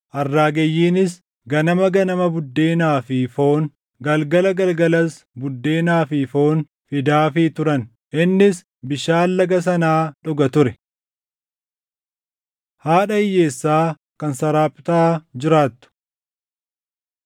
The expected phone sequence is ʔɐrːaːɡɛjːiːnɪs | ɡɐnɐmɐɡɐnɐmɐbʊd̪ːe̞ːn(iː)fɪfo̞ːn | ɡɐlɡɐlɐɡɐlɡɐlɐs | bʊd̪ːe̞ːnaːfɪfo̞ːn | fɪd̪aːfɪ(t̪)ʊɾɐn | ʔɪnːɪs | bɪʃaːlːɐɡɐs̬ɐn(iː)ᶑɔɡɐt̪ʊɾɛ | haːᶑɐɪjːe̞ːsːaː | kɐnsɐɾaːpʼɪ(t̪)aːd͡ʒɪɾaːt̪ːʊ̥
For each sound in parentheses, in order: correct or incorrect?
incorrect, correct, incorrect, correct

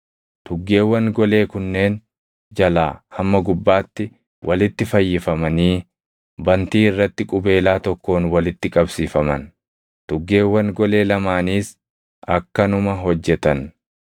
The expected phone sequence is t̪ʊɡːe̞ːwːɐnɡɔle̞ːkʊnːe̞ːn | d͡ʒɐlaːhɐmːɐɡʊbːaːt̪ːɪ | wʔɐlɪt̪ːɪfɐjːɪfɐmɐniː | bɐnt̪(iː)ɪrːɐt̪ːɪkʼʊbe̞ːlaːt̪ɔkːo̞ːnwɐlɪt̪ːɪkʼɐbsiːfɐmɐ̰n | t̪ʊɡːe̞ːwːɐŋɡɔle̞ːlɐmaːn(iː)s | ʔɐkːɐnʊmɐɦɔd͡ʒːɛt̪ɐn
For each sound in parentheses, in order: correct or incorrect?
correct, correct

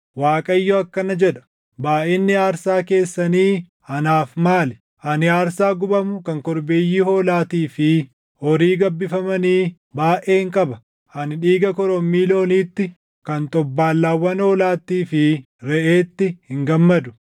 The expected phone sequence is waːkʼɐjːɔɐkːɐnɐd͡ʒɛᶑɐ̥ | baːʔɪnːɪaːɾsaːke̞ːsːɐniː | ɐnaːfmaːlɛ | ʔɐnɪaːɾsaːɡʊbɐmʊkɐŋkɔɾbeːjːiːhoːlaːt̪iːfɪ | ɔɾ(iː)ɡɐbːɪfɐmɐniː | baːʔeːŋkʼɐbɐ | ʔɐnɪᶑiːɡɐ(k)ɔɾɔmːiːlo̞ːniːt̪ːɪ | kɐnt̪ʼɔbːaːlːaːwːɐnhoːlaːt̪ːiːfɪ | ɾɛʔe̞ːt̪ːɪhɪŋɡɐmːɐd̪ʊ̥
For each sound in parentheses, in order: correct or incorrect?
correct, correct

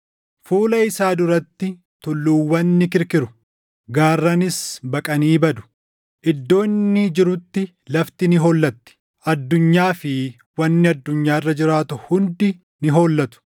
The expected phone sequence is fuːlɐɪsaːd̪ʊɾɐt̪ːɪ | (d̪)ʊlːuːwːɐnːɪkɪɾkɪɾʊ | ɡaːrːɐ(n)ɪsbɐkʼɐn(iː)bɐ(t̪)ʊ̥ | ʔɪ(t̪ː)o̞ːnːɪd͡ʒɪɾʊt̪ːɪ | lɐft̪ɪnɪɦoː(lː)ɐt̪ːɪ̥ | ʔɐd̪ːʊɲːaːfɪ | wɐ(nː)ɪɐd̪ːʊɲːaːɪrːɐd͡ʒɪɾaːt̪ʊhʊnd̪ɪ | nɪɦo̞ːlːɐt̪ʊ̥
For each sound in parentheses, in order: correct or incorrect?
incorrect, correct, correct, incorrect, incorrect, correct, correct

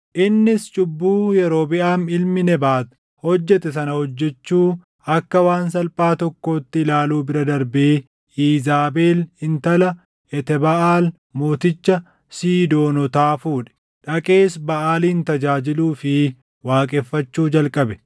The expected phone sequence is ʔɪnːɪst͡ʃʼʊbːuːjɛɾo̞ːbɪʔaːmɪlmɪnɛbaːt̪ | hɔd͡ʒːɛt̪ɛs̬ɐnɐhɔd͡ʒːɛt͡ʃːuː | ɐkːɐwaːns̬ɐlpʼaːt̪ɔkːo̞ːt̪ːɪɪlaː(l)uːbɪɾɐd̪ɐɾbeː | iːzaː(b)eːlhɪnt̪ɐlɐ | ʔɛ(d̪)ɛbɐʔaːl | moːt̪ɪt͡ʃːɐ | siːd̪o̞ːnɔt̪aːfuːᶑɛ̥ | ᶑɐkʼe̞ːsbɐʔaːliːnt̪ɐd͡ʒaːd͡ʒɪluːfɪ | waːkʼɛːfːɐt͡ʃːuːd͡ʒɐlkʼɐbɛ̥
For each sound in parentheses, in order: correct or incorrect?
correct, correct, incorrect

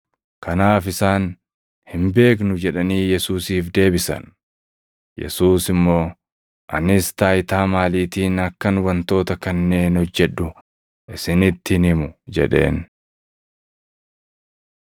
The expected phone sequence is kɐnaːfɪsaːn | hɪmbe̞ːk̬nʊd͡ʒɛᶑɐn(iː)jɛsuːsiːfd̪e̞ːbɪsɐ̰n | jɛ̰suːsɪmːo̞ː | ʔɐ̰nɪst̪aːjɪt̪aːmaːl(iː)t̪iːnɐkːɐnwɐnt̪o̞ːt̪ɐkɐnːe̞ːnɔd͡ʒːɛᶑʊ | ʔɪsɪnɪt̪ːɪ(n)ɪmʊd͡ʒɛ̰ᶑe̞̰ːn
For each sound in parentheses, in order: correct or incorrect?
correct, correct, correct

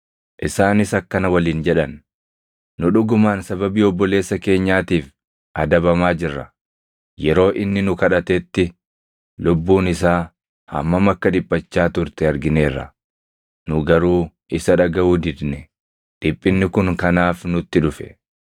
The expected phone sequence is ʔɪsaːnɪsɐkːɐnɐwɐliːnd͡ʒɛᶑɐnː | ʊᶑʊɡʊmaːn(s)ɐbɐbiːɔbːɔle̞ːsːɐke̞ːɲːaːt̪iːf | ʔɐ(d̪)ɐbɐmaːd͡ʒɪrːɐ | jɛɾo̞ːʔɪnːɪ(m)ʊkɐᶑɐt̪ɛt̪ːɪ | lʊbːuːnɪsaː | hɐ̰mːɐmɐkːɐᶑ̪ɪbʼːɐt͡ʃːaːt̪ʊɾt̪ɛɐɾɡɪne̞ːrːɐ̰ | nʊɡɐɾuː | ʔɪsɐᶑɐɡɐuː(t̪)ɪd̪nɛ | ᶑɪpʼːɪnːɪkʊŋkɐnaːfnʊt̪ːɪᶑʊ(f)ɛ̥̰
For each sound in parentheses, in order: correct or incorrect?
correct, correct, incorrect, incorrect, correct

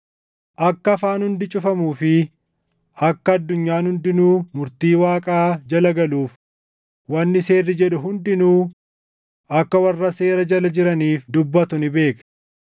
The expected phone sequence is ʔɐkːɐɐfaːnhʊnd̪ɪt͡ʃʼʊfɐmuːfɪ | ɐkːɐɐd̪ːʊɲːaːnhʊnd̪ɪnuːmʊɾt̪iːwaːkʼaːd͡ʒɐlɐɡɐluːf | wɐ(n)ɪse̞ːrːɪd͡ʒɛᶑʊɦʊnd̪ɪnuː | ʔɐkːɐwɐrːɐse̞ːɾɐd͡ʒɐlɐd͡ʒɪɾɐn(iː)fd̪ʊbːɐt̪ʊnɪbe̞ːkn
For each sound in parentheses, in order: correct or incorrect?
incorrect, correct

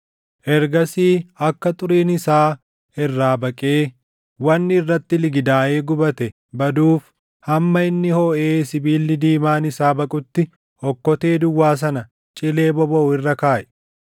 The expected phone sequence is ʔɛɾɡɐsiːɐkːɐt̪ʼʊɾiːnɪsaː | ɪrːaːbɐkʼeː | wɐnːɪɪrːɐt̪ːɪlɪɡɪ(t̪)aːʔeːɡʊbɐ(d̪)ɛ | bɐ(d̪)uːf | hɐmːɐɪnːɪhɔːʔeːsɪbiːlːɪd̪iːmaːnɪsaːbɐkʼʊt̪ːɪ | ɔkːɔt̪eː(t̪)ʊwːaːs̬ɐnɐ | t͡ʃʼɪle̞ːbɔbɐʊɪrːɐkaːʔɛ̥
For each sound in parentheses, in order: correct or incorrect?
incorrect, incorrect, correct, incorrect

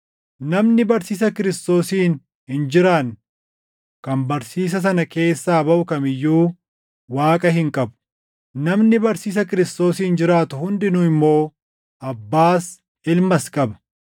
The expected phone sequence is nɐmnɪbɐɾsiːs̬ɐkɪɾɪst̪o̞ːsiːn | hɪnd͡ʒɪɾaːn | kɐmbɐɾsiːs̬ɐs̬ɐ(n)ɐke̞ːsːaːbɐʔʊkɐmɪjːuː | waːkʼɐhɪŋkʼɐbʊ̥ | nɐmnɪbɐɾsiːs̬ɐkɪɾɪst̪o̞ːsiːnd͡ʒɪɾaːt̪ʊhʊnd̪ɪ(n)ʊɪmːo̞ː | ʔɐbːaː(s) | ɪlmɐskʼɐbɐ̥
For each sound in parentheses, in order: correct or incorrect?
correct, correct, correct

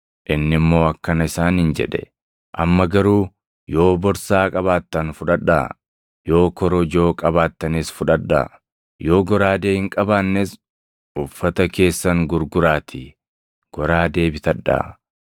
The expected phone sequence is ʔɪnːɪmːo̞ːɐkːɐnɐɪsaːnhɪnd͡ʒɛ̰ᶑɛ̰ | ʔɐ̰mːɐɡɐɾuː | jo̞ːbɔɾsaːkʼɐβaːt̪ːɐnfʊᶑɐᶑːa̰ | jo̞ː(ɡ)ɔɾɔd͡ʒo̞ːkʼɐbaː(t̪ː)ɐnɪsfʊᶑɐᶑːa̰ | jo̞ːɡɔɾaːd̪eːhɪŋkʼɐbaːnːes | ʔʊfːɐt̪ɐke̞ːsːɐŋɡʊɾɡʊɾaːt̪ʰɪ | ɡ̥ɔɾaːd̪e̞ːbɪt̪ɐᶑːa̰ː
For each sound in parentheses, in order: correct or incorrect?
incorrect, correct

